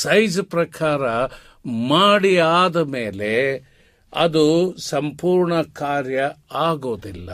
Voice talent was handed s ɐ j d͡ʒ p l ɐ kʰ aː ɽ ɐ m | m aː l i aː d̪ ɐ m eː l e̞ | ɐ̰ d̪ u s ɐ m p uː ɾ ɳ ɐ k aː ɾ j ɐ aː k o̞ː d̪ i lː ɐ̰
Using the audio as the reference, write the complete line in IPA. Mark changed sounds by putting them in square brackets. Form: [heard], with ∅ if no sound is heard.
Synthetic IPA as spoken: s ɐ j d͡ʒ p [ɾ] ɐ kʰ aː [ɾ] ɐ [∅] | m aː [ɽ] i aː d̪ ɐ m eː l e̞ | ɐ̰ d̪ u s ɐ m p uː ɾ ɳ ɐ k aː ɾ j ɐ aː [ɡ] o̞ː d̪ i lː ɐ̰